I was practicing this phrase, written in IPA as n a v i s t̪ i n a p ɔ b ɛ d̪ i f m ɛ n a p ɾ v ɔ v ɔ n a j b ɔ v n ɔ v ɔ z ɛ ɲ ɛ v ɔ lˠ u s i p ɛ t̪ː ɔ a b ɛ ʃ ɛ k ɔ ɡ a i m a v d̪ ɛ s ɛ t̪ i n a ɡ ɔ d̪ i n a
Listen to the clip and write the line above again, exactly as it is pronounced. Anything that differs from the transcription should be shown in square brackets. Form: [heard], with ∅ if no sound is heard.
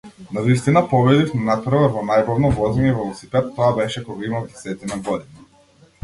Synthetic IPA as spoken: n a v i s t̪ i n a p ɔ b ɛ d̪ i f m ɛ n a p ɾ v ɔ v ɔ n a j b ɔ v n ɔ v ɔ z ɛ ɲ ɛ v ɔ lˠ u s i p ɛ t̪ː ɔ a b ɛ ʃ ɛ k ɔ ɡ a i m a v d̪ ɛ s ɛ t̪ i n a ɡ ɔ d̪ i n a